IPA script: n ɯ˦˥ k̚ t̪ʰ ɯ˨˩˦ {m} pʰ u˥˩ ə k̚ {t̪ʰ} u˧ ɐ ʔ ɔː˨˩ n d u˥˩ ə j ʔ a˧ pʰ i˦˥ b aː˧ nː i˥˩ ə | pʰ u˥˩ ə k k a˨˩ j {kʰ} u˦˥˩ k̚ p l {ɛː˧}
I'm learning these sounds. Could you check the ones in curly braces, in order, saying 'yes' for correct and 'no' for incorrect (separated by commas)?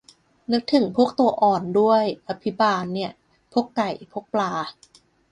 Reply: no, no, no, no